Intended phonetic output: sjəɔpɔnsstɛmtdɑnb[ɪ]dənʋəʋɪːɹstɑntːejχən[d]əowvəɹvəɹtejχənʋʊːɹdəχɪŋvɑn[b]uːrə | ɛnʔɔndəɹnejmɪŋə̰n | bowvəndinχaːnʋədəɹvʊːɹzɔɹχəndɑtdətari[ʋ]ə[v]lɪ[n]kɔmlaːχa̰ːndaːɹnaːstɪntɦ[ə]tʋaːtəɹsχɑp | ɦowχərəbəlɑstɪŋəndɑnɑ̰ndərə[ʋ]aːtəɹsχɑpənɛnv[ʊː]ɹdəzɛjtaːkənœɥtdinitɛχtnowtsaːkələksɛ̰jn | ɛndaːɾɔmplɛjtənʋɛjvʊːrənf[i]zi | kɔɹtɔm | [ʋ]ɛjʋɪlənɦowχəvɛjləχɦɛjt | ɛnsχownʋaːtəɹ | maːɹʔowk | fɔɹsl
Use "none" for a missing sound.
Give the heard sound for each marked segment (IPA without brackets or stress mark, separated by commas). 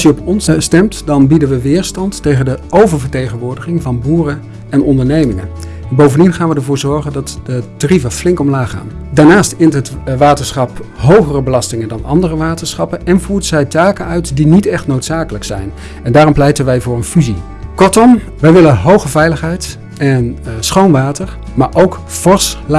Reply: i, d, b, v, f, ŋ, ə, ʋ, uː, y, ʋ